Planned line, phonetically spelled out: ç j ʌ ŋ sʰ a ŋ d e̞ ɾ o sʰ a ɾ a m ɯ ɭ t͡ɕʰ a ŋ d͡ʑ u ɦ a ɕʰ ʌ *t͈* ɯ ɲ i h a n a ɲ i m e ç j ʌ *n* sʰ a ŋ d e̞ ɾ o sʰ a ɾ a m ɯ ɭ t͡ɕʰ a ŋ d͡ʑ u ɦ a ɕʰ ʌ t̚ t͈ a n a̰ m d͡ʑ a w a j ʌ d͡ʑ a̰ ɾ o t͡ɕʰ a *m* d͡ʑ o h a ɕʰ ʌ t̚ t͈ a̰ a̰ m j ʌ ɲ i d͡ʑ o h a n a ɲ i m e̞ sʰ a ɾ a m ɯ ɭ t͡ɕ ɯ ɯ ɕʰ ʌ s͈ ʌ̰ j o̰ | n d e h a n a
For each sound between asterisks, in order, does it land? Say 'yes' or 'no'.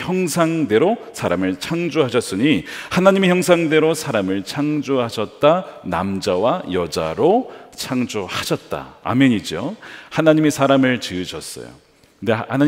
no, no, no

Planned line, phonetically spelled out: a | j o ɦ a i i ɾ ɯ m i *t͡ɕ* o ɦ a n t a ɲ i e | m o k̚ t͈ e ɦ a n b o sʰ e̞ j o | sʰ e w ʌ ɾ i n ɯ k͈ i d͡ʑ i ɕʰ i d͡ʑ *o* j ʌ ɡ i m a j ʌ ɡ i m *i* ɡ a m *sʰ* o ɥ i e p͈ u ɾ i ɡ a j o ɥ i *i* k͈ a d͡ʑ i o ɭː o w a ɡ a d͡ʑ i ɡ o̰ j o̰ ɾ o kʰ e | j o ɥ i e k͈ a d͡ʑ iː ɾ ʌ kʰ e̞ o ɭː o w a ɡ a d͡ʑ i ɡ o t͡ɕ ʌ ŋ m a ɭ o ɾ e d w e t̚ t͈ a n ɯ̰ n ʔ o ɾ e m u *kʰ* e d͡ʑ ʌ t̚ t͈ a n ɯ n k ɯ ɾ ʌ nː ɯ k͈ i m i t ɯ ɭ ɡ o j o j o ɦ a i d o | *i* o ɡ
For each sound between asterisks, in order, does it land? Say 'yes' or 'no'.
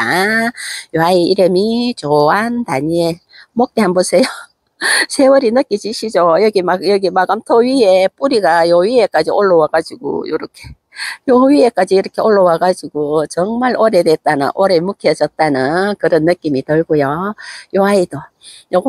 yes, yes, no, no, no, yes, no

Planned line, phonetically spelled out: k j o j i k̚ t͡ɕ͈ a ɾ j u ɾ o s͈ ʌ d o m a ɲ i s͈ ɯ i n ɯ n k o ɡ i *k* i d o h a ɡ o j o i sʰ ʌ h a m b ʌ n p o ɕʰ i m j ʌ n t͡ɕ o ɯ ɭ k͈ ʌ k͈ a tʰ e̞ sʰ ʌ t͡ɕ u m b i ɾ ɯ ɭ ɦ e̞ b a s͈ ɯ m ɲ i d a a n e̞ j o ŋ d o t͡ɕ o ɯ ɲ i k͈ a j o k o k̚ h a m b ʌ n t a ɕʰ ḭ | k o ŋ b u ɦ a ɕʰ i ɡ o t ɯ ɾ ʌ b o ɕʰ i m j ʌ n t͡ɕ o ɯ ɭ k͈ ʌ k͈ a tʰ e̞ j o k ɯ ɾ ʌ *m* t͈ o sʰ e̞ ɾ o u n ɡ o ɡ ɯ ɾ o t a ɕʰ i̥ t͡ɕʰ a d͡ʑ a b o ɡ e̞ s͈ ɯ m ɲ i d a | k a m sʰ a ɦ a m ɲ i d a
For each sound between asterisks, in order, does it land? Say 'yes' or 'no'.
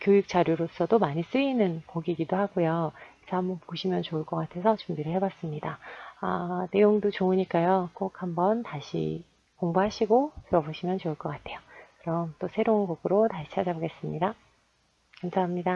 no, yes

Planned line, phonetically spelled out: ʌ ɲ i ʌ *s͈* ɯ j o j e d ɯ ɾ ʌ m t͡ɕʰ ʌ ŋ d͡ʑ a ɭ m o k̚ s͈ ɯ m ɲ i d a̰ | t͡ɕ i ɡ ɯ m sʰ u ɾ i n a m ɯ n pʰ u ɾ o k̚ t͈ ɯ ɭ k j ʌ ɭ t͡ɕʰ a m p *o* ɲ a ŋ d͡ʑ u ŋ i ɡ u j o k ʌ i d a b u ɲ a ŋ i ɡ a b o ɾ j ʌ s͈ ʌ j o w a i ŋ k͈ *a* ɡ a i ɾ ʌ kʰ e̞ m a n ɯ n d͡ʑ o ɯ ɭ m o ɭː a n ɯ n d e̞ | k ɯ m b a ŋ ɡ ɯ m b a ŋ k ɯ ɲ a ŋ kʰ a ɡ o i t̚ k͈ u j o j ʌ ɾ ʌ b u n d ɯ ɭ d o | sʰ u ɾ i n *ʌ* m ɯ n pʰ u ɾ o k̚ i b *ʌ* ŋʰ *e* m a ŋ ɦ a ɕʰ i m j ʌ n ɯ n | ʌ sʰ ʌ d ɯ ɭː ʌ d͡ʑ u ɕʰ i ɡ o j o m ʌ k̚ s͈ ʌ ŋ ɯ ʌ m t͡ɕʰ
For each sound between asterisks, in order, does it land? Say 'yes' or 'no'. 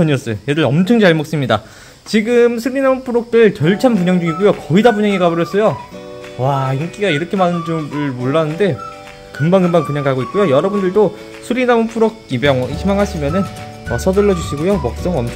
yes, no, no, no, yes, no

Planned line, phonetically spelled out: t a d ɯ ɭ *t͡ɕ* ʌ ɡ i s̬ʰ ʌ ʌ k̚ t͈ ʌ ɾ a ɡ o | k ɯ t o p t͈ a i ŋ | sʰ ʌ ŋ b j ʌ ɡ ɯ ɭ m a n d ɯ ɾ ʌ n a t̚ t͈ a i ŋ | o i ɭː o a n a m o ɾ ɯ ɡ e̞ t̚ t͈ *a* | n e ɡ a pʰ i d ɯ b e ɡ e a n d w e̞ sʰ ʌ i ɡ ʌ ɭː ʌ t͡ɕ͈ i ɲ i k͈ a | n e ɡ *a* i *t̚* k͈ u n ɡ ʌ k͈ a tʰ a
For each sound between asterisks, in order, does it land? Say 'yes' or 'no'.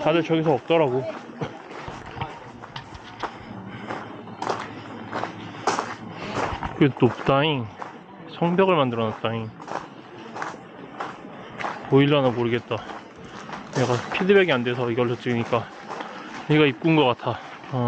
yes, yes, yes, no

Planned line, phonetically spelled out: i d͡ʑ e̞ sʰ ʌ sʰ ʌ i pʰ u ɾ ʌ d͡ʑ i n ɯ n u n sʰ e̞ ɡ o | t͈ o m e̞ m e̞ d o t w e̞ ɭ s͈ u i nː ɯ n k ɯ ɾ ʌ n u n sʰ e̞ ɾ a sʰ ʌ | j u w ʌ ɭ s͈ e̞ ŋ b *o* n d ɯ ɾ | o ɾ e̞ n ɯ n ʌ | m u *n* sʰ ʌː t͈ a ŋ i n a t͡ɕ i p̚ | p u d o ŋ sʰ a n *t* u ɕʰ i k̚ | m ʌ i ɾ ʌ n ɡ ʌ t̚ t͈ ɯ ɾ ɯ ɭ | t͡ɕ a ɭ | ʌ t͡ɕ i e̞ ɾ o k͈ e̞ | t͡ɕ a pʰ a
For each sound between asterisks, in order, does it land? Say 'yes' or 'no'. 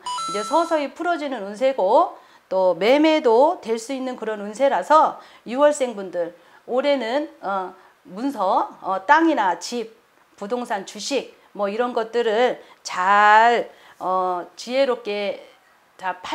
no, yes, no

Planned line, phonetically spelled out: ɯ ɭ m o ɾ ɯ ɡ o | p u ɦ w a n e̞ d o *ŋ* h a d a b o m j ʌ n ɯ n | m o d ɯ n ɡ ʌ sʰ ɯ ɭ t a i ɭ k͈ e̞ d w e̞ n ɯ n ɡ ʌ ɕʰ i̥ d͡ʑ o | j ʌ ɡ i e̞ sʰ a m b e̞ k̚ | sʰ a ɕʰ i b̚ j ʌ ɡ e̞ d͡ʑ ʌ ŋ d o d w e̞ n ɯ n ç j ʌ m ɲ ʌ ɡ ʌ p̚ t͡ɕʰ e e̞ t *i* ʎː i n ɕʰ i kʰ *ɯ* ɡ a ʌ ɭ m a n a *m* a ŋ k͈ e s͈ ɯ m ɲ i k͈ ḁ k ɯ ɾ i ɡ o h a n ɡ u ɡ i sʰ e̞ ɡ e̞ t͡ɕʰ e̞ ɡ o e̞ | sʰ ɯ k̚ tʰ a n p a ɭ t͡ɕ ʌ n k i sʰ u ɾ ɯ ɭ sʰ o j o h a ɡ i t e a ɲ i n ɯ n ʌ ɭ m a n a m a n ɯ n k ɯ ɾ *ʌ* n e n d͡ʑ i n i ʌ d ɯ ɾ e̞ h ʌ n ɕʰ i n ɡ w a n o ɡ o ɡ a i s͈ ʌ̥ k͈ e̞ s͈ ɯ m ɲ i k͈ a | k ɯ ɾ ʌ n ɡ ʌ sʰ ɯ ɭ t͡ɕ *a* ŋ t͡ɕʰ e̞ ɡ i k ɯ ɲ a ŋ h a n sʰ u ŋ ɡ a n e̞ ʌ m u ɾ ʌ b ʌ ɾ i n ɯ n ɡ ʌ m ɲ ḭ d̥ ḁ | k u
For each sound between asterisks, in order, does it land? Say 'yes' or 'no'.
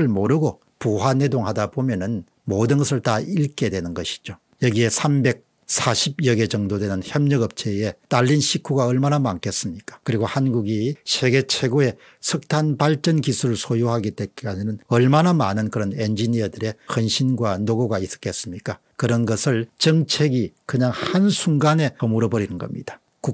yes, no, no, yes, yes, no

